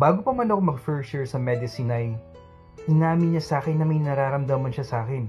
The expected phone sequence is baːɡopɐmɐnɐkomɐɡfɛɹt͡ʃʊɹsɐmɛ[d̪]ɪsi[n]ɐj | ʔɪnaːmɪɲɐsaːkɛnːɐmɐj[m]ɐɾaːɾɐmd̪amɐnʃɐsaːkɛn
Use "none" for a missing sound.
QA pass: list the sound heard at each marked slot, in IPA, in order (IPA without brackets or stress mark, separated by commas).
d̪, n, n